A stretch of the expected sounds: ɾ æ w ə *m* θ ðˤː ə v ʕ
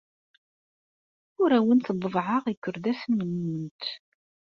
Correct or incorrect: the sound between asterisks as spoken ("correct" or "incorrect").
incorrect